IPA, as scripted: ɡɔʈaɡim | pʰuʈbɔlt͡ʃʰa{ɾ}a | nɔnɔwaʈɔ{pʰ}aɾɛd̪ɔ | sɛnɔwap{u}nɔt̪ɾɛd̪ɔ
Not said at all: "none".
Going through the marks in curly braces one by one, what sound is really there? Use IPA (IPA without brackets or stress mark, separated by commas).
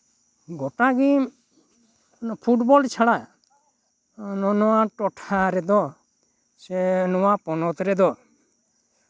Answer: ɽ, ʈʰ, ɔ